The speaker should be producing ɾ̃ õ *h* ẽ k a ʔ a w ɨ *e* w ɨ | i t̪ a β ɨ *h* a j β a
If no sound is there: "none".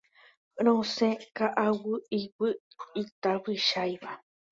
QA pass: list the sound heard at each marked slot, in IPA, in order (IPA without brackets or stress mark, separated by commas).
s, i, ʃ